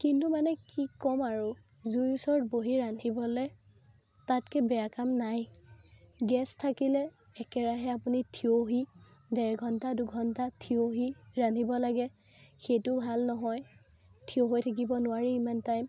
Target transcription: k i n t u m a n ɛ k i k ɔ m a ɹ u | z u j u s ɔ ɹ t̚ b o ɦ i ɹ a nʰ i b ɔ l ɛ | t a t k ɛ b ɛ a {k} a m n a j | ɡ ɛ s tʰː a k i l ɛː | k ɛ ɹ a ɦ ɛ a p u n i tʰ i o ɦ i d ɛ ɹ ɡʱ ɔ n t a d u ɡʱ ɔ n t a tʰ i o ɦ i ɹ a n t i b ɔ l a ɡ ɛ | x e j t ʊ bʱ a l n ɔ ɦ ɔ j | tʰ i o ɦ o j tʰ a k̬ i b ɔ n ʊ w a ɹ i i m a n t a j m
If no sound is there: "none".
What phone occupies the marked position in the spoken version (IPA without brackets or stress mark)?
k